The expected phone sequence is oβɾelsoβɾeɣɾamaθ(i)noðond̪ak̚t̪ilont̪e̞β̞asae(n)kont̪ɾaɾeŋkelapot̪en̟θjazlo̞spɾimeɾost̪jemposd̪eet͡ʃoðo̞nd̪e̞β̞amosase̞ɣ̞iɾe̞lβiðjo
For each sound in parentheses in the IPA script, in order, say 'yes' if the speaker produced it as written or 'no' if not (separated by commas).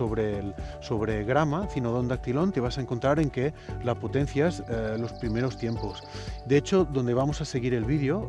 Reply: yes, no